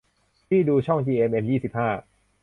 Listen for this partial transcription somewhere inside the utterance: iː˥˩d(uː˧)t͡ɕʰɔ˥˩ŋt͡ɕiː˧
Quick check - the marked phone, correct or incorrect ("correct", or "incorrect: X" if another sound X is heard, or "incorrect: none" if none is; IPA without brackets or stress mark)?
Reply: correct